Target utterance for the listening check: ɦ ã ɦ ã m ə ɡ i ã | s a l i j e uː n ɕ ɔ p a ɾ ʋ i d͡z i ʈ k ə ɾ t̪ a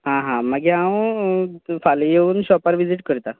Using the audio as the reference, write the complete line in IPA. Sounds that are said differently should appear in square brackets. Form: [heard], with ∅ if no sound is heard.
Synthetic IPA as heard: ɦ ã ɦ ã m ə ɡ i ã | [f] a l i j e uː n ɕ ɔ p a ɾ ʋ i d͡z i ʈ k ə ɾ t̪ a

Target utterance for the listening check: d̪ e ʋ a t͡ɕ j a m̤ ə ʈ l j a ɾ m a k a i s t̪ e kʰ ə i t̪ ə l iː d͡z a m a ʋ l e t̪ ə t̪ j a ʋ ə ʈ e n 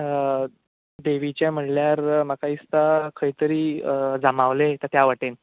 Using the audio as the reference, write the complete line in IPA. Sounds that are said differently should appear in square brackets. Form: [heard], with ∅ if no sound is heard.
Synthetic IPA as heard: d̪ e ʋ [i] t͡ɕ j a m̤ ə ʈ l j a ɾ m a k a i s t̪ [a] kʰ ə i t̪ ə [ɾ] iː d͡z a m a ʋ l e t̪ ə t̪ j a ʋ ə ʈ e n

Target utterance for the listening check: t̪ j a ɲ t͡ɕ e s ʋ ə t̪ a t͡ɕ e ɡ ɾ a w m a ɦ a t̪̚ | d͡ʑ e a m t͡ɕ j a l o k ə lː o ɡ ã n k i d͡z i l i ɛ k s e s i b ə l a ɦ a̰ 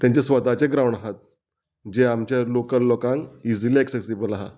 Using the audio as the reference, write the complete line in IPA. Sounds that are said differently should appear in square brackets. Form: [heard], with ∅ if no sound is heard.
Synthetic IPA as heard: t̪ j a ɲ t͡ɕ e s ʋ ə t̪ a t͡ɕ e ɡ ɾ a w [ɳ] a ɦ a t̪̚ | d͡ʑ e a m t͡ɕ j a l o k ə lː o [k] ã [ŋ] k i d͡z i l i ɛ k s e s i b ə l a ɦ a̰

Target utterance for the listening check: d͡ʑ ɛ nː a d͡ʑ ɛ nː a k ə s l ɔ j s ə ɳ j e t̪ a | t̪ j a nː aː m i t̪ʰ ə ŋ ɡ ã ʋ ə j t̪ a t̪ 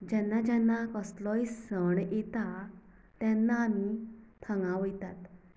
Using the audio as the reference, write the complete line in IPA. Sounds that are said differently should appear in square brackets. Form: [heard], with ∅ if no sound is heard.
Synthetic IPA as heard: d͡ʑ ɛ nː a d͡ʑ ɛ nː a k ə s l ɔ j s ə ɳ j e t̪ a | t̪ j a nː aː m i t̪ʰ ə ŋ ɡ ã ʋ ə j t̪ a t̪

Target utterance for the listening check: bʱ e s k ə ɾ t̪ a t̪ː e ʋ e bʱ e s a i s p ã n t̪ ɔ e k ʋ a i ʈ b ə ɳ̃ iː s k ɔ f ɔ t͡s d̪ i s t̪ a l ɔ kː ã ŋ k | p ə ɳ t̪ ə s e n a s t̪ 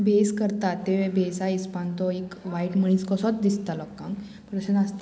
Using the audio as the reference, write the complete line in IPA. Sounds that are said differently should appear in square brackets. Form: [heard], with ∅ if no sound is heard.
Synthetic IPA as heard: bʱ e s k ə ɾ t̪ a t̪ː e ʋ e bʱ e s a i s p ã n t̪ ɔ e k ʋ a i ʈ [m] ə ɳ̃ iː s k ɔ [s] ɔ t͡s d̪ i s t̪ a l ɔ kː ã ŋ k | p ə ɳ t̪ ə s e n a s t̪

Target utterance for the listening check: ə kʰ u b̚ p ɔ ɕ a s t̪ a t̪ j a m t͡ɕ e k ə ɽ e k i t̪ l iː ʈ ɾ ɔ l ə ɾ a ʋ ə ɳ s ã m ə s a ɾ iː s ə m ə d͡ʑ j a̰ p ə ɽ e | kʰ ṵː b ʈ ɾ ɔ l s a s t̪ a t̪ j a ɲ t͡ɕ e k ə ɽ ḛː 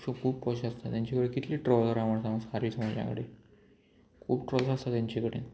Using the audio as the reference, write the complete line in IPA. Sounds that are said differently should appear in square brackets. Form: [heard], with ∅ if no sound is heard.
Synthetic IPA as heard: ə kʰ [uː] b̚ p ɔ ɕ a s t̪ a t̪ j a [ɲ] t͡ɕ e k ə ɽ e k i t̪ l iː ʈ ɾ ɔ l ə ɾ a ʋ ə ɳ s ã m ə s a ɾ iː s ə m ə d͡ʑ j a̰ [k] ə ɽ e | kʰ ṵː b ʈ ɾ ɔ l s a s t̪ a t̪ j a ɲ t͡ɕ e k ə ɽ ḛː

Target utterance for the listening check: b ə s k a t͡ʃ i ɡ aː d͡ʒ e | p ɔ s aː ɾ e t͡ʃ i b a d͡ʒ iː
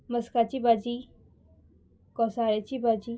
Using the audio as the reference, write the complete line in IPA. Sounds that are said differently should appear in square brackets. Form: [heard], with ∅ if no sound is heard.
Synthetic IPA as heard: [m] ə s k a t͡ʃ i [b] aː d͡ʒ [i] | [k] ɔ s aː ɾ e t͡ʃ i b a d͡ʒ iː

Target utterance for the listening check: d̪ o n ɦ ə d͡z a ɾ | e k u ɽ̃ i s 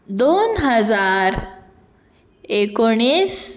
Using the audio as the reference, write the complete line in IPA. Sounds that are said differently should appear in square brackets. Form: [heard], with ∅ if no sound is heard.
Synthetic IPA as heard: d̪ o n ɦ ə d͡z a ɾ | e k [o] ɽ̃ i s

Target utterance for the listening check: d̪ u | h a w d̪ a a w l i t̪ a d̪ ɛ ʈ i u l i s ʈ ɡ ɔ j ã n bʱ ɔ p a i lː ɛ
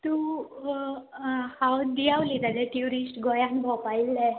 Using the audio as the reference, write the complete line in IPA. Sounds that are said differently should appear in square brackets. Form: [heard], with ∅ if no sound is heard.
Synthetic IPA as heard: [t̪] u | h a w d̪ [i] a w l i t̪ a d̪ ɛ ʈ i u [ɾ] i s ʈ ɡ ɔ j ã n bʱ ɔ p a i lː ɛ

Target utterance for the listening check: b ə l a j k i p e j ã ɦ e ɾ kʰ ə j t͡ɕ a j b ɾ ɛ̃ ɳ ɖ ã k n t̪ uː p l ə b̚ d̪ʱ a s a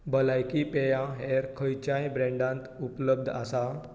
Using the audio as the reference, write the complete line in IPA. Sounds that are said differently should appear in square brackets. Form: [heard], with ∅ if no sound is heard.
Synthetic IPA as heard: b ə l a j k i p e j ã ɦ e ɾ kʰ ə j t͡ɕ a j b ɾ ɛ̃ ɳ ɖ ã [∅] n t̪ [u] p l ə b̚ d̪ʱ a s a

